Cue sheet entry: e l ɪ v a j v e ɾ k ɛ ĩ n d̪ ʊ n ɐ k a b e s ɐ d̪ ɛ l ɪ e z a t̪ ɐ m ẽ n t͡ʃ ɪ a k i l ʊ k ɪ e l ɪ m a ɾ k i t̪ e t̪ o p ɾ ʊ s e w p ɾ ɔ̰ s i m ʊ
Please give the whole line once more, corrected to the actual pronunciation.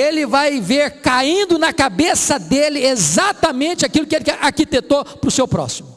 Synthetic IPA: e l ɪ v a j v e ɾ k a ĩ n d̪ ʊ n ɐ k a b e s ɐ d̪ e l ɪ e z a t̪ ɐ m ẽ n t͡ʃ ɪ a k i l ʊ k ɪ e l ɪ a ɾ k i t̪ e t̪ o p ɾ ʊ s e w p ɾ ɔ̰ s i m ʊ